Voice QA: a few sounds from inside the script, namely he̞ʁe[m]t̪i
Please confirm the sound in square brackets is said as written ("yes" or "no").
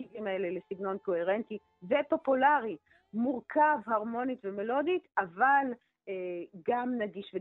no